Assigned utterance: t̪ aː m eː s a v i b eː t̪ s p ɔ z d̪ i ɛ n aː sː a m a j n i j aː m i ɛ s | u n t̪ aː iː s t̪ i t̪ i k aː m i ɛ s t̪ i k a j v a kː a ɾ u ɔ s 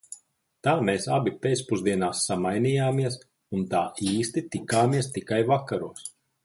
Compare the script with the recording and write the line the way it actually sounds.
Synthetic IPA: t̪ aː m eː s a b i p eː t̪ s p u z d̪ i ɛ n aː sː a m a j n i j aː m i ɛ s | u n t̪ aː iː s t̪ i t̪ i k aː m i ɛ s t̪ i k a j v a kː a ɾ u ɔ s